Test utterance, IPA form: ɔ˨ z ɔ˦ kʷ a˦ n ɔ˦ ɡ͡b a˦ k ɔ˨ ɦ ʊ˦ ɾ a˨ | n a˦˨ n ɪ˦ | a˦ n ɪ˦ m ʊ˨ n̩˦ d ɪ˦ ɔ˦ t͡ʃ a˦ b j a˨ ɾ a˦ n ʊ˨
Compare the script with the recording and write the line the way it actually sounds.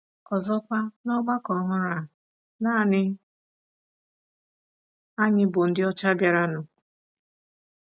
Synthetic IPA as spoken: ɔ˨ z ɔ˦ kʷ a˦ n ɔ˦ ɡ͡b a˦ k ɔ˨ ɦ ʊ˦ ɾ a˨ | n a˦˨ n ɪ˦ | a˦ ɲ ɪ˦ b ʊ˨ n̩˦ d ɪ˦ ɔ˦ t͡ʃ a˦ b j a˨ ɾ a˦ n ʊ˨

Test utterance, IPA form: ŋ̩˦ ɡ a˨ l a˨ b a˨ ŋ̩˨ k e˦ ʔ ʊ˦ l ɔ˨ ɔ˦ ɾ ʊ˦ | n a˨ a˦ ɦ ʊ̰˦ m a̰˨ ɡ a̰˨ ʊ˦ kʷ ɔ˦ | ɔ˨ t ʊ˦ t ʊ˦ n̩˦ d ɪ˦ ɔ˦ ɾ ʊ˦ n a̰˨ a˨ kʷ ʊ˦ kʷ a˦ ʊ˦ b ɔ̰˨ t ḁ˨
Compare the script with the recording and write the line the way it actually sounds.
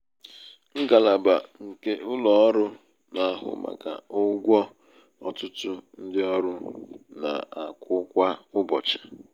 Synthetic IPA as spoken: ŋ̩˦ ɡ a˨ l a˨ b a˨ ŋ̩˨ k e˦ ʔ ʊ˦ l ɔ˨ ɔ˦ ɾ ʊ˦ | n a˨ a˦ ɦ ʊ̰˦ m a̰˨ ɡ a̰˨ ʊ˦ ɡʷ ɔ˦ | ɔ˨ t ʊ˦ t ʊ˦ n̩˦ d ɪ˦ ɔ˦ ɾ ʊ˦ n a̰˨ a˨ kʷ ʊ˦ kʷ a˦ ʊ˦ b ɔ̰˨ t͡ʃ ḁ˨

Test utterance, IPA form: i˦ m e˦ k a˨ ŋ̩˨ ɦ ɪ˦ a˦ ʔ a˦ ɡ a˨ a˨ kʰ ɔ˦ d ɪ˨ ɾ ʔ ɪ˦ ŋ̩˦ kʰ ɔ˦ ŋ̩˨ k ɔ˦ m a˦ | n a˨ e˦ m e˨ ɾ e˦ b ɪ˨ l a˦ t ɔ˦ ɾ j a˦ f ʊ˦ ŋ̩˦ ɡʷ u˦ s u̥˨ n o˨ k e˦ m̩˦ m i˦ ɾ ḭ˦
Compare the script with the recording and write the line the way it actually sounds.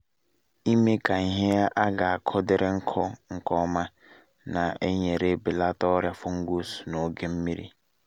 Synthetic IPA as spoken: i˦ m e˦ k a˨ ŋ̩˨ ɦ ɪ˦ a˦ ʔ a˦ ɡ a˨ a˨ kʰ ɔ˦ d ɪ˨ ɾ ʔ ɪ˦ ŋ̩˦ kʰ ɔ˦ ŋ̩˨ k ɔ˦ m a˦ | n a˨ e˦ ɲ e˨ ɾ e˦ b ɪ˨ l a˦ t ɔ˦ ɾ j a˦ f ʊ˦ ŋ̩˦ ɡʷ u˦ s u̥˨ n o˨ ɡ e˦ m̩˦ m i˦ ɾ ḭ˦

